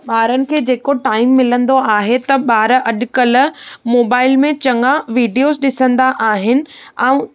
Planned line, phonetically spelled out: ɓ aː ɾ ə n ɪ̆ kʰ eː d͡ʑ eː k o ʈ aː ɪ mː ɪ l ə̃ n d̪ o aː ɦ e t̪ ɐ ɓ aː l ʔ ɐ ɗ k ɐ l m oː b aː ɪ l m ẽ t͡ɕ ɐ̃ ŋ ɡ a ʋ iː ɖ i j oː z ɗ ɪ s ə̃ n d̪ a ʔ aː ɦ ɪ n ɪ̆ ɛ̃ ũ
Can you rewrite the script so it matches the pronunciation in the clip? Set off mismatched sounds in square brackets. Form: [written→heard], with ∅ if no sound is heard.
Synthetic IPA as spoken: ɓ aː ɾ ə n ɪ̆ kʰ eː d͡ʑ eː k o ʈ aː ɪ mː ɪ l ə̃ n d̪ o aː ɦ e t̪ ɐ ɓ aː [l→ɾ] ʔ ɐ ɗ k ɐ l m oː b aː ɪ l m ẽ t͡ɕ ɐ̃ ŋ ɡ a ʋ iː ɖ i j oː z ɗ ɪ s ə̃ n d̪ a ʔ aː ɦ ɪ n ɪ̆ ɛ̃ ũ